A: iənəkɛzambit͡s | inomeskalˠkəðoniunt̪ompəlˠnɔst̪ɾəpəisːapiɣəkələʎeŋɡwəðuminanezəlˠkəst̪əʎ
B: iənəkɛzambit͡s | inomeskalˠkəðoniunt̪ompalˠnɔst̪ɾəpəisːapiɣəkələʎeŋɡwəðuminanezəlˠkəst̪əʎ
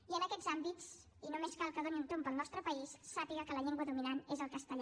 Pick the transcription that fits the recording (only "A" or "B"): A